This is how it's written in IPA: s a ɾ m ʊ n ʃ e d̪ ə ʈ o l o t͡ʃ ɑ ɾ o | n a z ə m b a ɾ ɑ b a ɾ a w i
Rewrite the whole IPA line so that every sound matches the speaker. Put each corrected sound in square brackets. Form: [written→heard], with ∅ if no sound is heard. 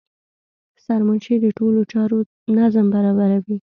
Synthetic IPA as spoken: s a ɾ m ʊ n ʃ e d̪ ə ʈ o l o t͡ʃ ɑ ɾ o | n a z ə m b a ɾ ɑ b a ɾ a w i

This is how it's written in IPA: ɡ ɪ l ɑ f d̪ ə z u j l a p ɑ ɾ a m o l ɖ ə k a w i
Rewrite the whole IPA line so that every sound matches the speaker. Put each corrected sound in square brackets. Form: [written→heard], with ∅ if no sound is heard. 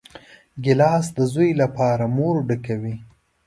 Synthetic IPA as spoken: ɡ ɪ l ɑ [f→s] d̪ ə z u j l a p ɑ ɾ a m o [l→ɾ] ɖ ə k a w i

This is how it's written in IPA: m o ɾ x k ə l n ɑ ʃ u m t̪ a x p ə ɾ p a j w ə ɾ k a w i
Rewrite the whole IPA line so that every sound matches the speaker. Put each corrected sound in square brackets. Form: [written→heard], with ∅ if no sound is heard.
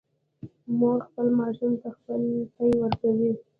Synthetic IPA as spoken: m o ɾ x [k→p] ə l [n→m] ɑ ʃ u m t̪ a x p ə [ɾ→l] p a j w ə ɾ k a w i

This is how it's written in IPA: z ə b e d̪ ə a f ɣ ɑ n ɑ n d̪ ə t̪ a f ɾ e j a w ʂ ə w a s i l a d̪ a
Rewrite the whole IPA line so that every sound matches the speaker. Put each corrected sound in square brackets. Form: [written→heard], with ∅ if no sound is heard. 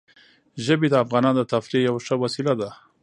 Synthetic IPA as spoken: [z→ʒ] ə b e d̪ ə a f ɣ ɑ n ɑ n d̪ ə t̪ a f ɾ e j a w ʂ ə w a s i l a d̪ a

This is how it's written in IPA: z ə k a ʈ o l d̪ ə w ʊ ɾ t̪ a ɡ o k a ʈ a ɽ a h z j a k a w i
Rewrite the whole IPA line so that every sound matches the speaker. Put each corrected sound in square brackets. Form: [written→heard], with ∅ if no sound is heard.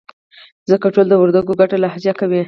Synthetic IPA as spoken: z ə k a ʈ o l d̪ ə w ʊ ɾ [t̪→d̪] a ɡ o [k→ɡ] a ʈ a [ɽ→l] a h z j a k a w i

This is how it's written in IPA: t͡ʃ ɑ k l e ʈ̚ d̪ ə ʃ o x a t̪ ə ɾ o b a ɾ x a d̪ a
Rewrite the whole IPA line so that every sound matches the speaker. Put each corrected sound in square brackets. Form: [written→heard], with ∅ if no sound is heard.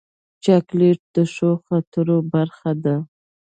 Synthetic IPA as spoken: t͡ʃ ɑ k l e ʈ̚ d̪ ə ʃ o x a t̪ ə ɾ o b a ɾ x a d̪ a

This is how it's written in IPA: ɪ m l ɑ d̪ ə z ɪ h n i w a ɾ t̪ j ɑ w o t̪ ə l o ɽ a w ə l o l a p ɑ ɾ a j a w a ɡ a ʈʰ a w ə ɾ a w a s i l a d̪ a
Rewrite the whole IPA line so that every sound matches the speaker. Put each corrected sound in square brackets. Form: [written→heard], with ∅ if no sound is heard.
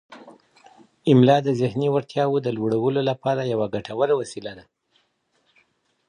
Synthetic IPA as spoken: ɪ m l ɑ d̪ ə z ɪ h n i w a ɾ t̪ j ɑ w o [t̪→d̪] ə l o ɽ a w ə l o l a p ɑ ɾ a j a w a ɡ a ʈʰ a w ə ɾ a w a s i l a d̪ a

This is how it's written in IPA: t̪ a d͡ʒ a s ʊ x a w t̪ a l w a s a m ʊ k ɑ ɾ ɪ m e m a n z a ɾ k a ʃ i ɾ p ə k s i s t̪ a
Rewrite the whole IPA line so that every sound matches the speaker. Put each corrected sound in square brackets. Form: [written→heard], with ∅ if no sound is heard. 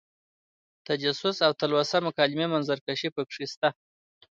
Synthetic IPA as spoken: t̪ a d͡ʒ a s ʊ [x→s] a w t̪ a l w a s a m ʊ k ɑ [ɾ→l] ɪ m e m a n z a ɾ k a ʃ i [ɾ→∅] p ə k [s→ʂ] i s t̪ a

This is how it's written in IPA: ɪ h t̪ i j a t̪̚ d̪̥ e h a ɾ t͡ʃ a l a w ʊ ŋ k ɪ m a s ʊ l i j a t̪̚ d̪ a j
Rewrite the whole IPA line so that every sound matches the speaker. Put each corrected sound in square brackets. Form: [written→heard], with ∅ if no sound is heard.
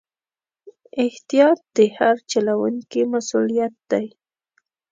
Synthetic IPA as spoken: ɪ h t̪ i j [a→ɑ] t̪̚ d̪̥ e h a ɾ t͡ʃ a l a w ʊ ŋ k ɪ m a s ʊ l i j a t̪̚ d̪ a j

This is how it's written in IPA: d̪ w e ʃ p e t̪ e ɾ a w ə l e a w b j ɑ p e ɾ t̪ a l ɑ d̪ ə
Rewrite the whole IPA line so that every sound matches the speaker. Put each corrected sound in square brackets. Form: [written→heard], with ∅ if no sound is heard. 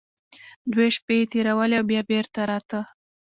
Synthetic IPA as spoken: d̪ w e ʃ p e t̪ e ɾ a w ə l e a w b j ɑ [p→b] e ɾ t̪ a [l→ɾ] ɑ [d̪→t̪] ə

